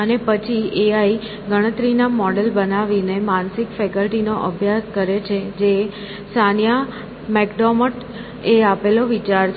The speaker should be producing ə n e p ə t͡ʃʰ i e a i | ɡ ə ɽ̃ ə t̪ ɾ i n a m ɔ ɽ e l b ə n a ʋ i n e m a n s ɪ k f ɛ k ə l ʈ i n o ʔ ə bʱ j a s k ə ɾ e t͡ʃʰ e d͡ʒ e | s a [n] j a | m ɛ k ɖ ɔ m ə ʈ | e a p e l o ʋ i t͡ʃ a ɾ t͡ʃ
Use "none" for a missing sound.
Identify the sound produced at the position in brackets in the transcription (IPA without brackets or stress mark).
n